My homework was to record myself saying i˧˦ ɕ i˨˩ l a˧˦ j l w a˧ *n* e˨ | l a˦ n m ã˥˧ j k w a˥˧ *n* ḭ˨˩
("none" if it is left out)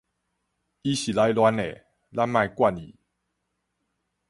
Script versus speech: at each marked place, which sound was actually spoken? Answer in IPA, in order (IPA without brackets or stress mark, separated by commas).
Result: n, n